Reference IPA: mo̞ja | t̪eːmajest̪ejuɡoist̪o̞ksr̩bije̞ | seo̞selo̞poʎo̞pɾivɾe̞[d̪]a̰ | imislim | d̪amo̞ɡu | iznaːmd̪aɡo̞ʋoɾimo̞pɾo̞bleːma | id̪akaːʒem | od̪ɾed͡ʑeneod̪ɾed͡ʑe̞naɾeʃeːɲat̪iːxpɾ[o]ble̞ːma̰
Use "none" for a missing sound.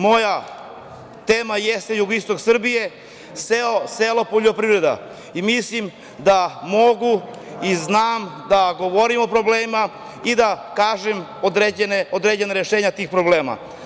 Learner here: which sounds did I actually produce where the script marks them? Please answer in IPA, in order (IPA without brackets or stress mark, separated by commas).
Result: d̪, o